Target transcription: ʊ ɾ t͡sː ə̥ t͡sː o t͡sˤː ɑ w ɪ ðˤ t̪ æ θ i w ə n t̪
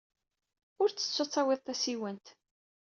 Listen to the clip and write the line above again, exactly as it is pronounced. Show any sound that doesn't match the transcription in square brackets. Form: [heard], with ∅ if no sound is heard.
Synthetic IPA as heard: ʊ ɾ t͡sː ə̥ t͡sː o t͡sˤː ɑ w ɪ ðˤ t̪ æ [s] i w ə n t̪